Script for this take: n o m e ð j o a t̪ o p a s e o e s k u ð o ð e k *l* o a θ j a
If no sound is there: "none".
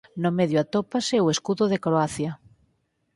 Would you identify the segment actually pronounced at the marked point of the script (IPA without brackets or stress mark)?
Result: ɾ